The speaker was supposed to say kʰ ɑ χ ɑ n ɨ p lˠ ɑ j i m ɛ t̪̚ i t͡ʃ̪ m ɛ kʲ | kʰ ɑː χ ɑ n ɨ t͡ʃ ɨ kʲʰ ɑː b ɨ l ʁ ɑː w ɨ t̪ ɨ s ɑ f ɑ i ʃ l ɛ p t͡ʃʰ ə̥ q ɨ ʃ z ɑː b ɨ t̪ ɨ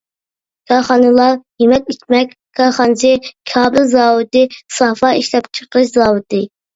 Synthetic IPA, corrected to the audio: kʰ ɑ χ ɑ n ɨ lˠ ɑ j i m ɛ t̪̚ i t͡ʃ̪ m ɛ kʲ | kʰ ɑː χ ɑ n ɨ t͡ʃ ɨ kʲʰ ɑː b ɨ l z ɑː w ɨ t̪ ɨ s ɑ f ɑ i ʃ l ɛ p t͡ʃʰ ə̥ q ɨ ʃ z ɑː w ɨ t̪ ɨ